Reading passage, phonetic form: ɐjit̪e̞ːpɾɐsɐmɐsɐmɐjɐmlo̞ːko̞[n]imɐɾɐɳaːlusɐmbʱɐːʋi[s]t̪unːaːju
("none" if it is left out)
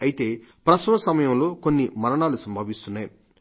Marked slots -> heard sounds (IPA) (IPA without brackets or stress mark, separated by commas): nː, s